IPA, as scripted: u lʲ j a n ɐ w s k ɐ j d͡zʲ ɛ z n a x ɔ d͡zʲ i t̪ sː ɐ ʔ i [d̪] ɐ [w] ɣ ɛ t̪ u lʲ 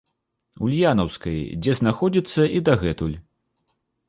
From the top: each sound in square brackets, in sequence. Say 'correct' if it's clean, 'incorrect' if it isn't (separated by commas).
correct, incorrect